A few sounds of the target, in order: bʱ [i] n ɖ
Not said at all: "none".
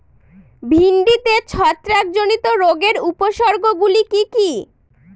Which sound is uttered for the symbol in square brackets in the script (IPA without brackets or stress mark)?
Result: i